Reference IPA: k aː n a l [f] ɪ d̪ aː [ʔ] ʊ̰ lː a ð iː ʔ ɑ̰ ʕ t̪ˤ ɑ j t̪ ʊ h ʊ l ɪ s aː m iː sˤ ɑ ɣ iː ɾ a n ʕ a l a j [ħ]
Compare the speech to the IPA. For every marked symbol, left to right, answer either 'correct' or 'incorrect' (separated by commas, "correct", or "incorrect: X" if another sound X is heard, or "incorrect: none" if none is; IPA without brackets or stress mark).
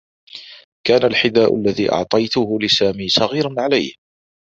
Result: incorrect: ħ, correct, incorrect: h